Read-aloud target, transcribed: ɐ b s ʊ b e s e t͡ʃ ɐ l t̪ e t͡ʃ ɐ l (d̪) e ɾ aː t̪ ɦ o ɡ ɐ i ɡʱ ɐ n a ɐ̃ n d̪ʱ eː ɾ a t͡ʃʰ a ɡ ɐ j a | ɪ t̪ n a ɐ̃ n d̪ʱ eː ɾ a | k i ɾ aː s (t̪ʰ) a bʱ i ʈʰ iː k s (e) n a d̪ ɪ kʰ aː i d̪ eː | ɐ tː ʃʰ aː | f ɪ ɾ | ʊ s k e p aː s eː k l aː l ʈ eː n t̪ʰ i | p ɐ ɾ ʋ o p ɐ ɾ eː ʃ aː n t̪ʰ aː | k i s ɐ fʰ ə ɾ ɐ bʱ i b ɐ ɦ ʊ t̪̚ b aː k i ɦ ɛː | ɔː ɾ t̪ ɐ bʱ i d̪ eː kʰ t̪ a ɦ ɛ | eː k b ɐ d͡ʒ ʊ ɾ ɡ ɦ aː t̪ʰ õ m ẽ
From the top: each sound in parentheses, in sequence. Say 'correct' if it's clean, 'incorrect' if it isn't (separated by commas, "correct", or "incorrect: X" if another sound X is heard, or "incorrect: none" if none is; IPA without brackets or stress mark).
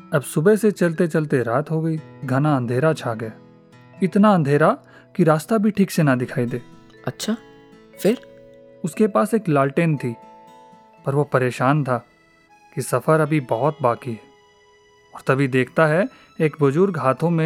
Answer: incorrect: t̪, incorrect: t̪, correct